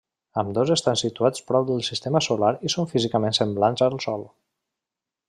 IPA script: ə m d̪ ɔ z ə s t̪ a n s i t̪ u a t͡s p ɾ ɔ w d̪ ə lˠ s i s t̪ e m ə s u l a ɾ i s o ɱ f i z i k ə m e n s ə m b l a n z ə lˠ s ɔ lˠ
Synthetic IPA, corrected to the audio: ə m d̪ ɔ z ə s t̪ a n s i t̪ u a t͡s p ɾ ɔ w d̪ ə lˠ s i s t̪ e m ə s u l a ɾ i s o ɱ f i z i k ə m e n s ə m b l a n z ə lˠ s ɔ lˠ